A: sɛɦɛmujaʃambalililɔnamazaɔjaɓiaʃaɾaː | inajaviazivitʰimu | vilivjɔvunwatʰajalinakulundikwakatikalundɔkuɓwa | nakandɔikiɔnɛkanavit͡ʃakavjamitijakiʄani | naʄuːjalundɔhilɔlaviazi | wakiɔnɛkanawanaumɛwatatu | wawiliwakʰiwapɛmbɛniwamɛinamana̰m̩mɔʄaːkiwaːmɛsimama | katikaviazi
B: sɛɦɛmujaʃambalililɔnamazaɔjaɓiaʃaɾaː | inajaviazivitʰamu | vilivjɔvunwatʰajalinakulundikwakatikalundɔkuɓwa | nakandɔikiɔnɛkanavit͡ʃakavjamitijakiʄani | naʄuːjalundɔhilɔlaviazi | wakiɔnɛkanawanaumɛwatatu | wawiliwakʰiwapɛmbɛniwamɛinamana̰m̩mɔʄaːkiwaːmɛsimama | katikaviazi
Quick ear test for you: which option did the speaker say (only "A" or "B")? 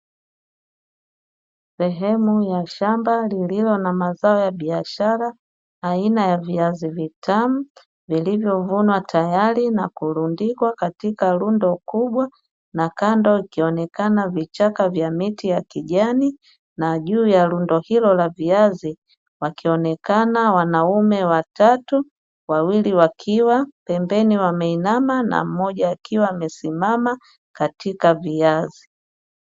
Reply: B